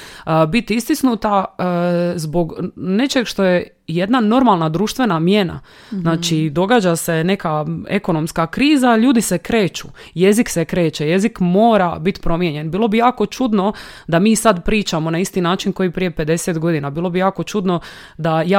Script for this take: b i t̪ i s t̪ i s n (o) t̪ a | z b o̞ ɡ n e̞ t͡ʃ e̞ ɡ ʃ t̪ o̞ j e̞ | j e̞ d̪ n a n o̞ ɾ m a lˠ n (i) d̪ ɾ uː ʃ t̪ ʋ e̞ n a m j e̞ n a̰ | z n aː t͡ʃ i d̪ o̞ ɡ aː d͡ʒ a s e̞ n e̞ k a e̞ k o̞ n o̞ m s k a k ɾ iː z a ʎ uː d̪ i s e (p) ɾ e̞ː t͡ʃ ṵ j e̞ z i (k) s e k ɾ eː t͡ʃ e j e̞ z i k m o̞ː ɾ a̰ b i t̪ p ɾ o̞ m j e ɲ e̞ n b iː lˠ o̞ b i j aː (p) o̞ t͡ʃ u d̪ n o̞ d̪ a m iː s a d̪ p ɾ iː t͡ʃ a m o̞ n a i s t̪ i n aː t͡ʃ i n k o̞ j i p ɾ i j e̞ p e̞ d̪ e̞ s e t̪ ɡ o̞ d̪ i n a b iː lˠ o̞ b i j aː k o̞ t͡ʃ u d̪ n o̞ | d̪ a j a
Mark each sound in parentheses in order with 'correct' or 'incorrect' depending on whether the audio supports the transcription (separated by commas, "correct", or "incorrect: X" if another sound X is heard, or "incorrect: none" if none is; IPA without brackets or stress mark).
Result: incorrect: u, incorrect: a, incorrect: k, correct, incorrect: k